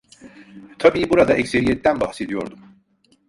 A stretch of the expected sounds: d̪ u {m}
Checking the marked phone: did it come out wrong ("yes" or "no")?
no